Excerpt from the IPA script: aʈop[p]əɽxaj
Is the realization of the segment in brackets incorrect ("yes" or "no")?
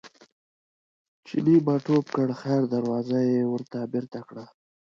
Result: yes